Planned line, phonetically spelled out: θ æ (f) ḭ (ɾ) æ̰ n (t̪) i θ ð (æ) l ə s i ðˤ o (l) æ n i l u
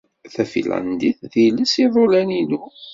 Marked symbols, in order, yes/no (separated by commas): yes, no, no, no, yes